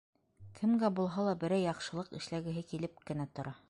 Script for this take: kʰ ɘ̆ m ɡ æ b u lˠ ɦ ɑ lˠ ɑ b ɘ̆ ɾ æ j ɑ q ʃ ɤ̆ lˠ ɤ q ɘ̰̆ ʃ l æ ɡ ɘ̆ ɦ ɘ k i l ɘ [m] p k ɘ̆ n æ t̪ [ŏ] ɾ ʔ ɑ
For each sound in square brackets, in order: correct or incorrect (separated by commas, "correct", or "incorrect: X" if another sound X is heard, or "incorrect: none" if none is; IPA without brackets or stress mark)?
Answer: incorrect: none, correct